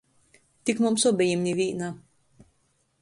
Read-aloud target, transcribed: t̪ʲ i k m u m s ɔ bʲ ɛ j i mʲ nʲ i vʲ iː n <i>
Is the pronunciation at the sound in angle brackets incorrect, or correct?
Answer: incorrect